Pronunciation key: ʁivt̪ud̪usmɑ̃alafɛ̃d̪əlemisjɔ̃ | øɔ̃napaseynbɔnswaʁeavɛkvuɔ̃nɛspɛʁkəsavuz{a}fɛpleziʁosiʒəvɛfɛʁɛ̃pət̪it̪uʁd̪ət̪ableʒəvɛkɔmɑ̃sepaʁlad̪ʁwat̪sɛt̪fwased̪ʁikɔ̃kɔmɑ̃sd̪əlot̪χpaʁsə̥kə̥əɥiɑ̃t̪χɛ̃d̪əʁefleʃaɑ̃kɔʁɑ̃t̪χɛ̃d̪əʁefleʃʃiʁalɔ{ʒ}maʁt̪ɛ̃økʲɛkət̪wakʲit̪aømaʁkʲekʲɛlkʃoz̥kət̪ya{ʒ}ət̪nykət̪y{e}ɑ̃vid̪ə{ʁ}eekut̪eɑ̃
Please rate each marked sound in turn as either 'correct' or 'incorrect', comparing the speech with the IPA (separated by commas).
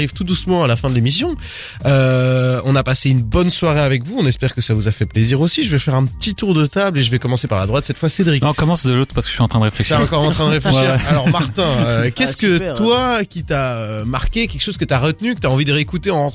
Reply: correct, incorrect, incorrect, incorrect, correct